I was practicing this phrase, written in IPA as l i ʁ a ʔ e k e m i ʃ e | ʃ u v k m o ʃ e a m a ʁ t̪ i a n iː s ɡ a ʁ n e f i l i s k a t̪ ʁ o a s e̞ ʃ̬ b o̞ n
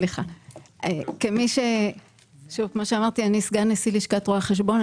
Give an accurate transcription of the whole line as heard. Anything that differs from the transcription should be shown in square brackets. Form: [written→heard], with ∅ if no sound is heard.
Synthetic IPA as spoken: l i [ʁ→χ] a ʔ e k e m i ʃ e | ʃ u v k m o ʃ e a m a ʁ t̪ i a n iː s ɡ a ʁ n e [f→s] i l i [s→ʃ] k a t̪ ʁ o a [s→χ] e̞ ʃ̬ b o̞ n